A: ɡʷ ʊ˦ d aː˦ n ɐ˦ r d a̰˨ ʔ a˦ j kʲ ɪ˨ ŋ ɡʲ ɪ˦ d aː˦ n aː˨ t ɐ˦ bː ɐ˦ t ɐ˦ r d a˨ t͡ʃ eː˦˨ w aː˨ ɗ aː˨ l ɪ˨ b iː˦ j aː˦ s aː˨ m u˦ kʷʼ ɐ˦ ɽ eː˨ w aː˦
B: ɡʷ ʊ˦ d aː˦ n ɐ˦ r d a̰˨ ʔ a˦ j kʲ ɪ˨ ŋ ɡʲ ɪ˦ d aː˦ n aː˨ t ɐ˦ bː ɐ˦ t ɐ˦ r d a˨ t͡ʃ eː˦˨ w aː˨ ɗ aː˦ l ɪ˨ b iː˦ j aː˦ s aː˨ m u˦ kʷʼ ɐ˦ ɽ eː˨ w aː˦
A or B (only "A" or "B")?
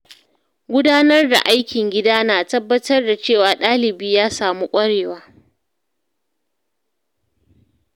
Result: B